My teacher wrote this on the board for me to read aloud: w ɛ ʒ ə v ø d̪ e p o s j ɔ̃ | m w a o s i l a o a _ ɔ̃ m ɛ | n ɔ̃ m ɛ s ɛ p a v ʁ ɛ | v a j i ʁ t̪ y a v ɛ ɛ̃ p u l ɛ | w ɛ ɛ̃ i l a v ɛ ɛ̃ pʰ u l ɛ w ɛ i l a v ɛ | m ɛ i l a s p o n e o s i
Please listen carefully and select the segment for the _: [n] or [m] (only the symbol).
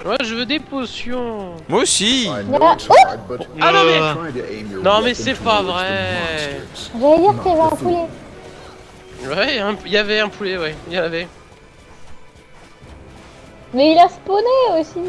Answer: n